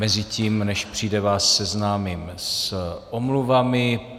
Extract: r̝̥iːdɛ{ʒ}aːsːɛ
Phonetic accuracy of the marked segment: incorrect: v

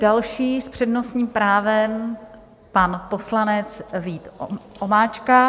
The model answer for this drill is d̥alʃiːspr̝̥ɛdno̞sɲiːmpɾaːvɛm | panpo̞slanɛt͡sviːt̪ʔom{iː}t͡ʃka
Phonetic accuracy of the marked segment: incorrect: aː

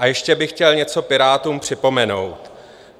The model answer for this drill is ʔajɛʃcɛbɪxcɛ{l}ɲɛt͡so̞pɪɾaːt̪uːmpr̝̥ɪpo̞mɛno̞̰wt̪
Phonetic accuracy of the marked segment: correct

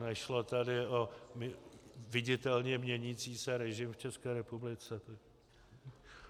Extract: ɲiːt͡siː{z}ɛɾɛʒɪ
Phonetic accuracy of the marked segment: incorrect: s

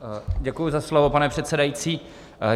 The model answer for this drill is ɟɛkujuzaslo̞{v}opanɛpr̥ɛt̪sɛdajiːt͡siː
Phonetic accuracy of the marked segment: correct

